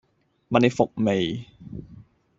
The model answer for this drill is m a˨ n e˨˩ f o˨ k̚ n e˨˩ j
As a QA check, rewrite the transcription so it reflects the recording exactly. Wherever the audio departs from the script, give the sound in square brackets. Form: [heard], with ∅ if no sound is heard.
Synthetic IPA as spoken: m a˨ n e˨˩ f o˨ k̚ [m] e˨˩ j